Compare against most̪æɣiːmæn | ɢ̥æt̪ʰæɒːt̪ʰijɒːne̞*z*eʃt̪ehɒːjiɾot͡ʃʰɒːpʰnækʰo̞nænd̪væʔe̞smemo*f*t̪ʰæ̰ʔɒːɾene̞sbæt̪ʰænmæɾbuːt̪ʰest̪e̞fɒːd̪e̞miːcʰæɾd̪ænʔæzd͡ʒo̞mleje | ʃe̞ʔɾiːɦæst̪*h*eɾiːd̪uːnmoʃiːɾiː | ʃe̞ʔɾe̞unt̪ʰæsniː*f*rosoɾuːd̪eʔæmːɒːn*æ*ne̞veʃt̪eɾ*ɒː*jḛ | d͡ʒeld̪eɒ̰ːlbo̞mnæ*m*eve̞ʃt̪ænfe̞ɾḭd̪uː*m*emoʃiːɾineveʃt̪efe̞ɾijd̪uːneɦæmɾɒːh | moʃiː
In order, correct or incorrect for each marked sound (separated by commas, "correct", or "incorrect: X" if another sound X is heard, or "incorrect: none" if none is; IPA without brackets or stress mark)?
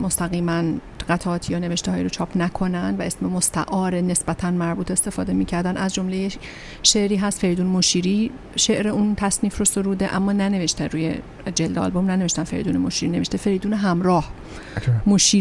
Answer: incorrect: v, incorrect: s, incorrect: f, correct, correct, incorrect: uː, incorrect: n, incorrect: n